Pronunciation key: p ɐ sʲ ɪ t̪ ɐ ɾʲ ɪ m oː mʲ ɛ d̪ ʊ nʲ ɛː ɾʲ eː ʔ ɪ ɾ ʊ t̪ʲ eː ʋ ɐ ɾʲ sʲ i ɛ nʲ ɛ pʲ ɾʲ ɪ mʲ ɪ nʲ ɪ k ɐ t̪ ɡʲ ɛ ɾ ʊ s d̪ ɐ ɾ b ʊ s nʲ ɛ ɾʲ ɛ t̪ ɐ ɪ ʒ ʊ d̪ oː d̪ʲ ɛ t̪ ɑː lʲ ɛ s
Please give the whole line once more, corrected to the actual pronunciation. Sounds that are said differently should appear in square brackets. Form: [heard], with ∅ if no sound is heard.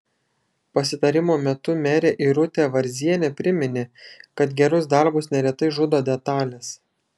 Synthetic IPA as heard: p ɐ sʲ ɪ t̪ ɐ ɾʲ ɪ m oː mʲ ɛ [t̪] ʊ [mʲ] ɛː ɾʲ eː ʔ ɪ ɾ ʊ t̪ʲ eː ʋ ɐ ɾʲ [zʲ] i ɛ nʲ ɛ pʲ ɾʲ ɪ mʲ ɪ nʲ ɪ k ɐ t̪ ɡʲ ɛ ɾ ʊ s d̪ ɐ ɾ b ʊ s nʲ ɛ ɾʲ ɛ t̪ ɐ ɪ ʒ ʊ d̪ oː d̪ʲ ɛ t̪ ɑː lʲ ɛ s